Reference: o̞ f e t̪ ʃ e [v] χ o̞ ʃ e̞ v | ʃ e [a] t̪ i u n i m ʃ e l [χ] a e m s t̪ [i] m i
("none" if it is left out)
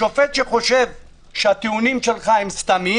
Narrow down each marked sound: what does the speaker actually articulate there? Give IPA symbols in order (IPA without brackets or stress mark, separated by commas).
none, a, χ, a